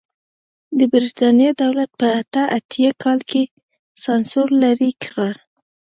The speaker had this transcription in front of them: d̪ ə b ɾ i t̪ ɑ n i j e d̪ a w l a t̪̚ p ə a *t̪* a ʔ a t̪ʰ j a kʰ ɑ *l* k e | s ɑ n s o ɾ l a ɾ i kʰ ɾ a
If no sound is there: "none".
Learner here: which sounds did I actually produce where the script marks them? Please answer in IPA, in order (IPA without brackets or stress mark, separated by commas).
t̪, l